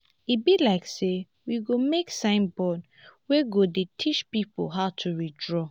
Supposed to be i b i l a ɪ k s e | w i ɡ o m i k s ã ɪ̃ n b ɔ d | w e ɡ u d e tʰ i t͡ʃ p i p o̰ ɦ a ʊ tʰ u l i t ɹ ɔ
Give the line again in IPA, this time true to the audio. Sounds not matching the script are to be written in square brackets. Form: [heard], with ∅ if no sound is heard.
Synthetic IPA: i b i l a ɪ k s e | w i ɡ o m [e] k s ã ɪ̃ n b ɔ d | w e ɡ [o] d e tʰ i t͡ʃ p i p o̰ ɦ a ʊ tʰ u [ɹ] i [d] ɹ ɔ